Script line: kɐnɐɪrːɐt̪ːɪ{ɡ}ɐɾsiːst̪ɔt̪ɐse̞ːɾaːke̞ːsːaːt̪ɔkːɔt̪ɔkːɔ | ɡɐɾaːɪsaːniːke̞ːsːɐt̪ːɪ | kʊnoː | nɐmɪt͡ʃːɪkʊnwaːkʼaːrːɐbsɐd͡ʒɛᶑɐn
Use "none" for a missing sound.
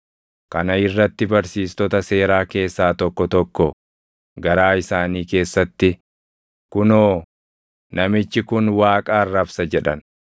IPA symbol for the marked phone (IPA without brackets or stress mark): b